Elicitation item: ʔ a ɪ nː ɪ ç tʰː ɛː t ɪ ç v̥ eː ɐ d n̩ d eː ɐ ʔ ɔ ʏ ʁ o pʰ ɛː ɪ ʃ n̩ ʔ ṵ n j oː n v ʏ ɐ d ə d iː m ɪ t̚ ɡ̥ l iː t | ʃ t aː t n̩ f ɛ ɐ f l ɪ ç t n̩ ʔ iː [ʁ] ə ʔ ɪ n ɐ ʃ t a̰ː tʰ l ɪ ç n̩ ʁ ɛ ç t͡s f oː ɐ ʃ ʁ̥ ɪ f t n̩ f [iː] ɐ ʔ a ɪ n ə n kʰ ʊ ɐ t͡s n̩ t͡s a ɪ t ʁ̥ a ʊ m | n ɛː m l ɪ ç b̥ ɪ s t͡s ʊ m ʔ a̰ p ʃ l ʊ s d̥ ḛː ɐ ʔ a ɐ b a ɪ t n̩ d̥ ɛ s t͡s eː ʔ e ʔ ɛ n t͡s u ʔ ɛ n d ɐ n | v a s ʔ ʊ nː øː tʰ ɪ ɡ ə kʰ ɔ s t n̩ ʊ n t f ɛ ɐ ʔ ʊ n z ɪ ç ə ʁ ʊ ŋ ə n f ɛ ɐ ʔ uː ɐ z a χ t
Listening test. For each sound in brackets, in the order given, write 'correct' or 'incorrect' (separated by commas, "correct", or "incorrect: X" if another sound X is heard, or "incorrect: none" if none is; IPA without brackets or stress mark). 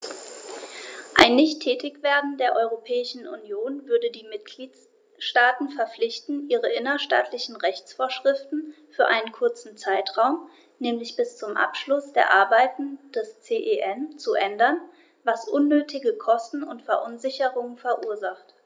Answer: correct, incorrect: yː